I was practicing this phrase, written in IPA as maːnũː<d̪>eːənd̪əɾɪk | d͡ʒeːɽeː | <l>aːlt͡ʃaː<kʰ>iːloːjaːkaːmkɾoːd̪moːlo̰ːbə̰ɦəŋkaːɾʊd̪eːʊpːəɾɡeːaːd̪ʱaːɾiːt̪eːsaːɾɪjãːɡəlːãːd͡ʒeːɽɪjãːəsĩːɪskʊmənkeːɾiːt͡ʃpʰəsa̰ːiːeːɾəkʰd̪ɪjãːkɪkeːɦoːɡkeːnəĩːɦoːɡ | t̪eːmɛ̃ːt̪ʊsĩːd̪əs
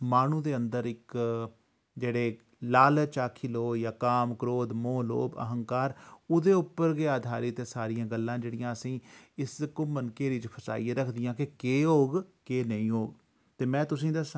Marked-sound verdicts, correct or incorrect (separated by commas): correct, correct, correct